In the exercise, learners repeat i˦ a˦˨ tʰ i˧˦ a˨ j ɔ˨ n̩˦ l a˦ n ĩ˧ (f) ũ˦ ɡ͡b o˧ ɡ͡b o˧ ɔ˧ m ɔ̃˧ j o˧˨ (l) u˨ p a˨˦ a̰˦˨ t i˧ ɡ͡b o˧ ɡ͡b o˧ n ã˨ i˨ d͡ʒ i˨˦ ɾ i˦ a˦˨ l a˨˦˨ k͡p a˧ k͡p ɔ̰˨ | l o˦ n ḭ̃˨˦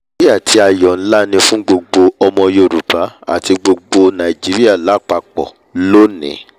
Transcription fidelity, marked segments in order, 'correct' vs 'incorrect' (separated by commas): correct, incorrect